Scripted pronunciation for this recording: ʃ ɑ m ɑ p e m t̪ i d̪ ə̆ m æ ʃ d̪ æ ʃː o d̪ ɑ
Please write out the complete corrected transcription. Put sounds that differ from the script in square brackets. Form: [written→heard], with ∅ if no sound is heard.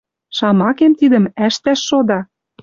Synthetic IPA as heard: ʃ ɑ m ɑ [p→k] e m t̪ i d̪ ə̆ m æ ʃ [d̪→t̪] æ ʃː o d̪ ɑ